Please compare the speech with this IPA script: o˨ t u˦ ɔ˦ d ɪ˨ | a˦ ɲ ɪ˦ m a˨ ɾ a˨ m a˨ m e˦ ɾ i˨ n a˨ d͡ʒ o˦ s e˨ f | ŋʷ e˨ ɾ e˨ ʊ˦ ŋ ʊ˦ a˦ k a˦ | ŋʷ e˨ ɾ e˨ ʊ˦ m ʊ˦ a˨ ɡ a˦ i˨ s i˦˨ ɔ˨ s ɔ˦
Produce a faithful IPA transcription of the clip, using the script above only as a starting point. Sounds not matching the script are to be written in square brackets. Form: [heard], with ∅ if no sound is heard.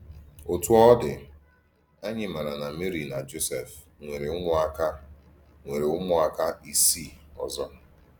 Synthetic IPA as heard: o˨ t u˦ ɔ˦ d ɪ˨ | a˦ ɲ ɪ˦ m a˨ ɾ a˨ [n] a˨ m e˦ ɾ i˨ n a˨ d͡ʒ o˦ s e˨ f | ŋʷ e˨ ɾ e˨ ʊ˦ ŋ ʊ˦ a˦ k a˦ | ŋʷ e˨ ɾ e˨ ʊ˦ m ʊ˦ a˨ [k] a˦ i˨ s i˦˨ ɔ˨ [z] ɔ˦